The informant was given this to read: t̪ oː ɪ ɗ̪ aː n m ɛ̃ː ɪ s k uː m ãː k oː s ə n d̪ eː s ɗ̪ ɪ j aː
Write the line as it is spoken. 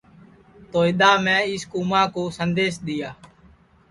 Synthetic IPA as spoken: t̪ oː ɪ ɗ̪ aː m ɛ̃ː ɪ s k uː m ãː k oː s ə n d̪ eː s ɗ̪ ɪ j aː